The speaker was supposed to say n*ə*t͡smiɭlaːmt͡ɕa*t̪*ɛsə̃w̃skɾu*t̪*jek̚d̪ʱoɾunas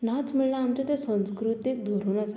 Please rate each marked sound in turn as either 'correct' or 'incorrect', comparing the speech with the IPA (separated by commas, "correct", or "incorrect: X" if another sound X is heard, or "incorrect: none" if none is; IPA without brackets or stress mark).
incorrect: a, correct, correct